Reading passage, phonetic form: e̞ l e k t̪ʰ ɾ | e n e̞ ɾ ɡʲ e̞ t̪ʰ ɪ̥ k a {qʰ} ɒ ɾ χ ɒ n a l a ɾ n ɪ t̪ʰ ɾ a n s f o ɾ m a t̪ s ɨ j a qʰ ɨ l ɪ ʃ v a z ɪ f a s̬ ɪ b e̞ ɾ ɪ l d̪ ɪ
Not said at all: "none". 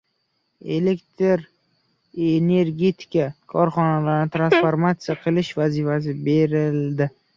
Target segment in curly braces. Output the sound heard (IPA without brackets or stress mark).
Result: kʰ